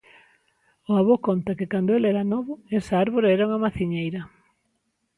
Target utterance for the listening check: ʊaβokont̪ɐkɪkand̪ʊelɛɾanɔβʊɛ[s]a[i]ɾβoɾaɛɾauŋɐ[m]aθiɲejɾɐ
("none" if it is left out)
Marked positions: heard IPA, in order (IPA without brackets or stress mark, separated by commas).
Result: s, a, m